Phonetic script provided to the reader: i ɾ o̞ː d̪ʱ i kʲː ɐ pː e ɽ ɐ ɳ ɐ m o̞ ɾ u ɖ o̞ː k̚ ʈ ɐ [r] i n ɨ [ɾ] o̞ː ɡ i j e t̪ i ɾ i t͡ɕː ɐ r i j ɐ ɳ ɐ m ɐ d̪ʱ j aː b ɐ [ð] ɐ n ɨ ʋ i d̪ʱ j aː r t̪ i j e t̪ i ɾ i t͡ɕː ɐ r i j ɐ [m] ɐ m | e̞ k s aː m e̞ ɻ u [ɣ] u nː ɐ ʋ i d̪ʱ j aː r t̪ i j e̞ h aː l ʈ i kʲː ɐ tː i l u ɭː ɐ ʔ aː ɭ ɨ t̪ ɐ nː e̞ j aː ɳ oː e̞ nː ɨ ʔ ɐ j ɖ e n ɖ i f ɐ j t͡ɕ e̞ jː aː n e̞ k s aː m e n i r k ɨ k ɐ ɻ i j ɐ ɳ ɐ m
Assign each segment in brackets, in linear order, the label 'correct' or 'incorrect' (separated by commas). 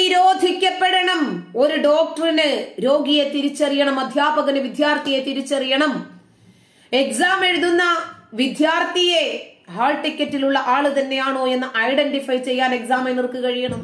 correct, correct, incorrect, incorrect, incorrect